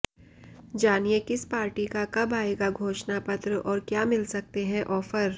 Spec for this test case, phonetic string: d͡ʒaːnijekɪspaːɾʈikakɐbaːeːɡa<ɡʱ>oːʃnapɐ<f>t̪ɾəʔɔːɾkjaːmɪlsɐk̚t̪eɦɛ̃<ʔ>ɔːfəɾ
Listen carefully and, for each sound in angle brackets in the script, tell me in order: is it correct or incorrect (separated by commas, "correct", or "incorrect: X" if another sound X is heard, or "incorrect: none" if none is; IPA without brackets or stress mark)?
correct, incorrect: none, correct